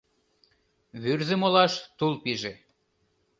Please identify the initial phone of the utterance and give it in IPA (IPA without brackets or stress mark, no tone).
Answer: β